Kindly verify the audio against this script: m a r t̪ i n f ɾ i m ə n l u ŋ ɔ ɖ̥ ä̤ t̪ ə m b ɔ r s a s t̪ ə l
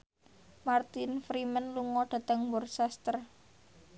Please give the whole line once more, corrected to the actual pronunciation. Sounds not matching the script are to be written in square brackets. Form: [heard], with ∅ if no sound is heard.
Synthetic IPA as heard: m a r t̪ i n f ɾ i m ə n l u ŋ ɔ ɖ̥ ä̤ t̪ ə [ŋ] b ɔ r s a s t̪ ə [r]